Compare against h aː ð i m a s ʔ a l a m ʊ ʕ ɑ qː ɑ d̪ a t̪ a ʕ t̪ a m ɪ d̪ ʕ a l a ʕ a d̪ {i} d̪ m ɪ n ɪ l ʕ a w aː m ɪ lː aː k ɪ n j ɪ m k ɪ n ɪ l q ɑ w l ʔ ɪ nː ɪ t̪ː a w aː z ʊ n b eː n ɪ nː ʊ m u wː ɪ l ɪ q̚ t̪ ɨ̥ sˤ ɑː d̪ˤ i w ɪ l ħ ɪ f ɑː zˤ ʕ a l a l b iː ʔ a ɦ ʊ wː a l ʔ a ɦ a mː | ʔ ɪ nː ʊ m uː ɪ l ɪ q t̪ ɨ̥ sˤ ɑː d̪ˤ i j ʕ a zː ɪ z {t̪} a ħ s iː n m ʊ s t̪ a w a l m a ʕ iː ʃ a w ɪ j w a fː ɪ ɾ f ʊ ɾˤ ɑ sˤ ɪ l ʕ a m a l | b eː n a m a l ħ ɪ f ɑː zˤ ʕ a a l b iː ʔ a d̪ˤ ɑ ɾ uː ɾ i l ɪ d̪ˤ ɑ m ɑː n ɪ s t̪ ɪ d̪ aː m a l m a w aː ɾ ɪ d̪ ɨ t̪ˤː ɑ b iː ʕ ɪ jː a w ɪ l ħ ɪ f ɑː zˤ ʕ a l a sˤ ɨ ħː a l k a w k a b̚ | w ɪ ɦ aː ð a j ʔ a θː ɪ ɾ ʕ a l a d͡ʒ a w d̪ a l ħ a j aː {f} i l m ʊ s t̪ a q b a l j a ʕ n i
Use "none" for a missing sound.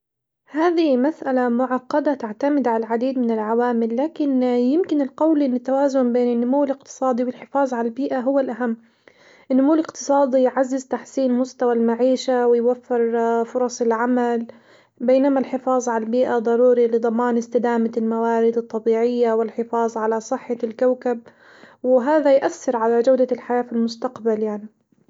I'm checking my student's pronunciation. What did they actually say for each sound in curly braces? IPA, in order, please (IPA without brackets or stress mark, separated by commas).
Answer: iː, t̪, f